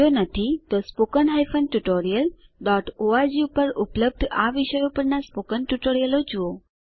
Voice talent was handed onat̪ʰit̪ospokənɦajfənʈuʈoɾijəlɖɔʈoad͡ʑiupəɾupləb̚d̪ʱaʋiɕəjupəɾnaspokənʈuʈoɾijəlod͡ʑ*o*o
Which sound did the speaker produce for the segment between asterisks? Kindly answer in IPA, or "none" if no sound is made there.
u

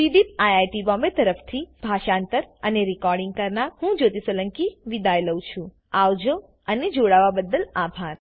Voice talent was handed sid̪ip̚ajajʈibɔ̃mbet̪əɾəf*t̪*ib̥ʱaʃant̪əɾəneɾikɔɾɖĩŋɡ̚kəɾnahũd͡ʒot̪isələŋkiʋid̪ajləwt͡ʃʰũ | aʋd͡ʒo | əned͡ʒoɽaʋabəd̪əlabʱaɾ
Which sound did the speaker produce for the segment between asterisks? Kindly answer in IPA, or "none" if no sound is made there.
t̪ʰ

